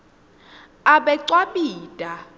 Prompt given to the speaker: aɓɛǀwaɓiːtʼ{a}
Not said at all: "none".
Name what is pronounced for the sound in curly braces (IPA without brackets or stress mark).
a